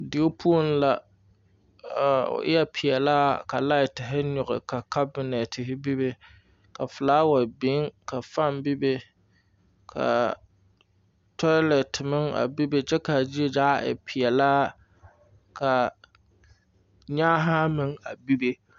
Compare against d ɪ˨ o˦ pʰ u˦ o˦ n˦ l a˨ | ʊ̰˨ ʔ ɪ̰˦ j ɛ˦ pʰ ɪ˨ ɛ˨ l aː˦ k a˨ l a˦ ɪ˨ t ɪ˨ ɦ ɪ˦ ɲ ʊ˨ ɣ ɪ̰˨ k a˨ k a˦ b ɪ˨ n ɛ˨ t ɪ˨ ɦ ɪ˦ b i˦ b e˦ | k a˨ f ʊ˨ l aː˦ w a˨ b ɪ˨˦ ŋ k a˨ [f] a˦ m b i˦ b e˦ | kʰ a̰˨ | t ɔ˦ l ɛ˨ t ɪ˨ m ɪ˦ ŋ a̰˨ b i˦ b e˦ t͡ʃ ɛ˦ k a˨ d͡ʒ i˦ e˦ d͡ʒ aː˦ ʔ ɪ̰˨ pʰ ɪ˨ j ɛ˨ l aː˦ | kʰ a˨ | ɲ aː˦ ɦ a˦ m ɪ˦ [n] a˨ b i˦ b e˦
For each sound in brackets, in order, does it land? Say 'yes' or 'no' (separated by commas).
yes, no